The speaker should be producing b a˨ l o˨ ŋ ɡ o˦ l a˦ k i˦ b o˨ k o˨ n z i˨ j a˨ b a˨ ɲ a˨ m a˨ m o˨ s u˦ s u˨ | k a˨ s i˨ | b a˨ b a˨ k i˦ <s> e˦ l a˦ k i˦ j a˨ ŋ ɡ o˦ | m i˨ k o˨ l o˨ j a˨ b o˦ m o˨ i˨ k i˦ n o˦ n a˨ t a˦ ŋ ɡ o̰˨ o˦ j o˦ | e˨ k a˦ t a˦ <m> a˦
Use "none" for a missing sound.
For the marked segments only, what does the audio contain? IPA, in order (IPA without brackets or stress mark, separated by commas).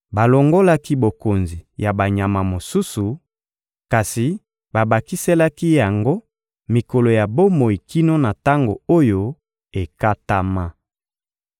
s, m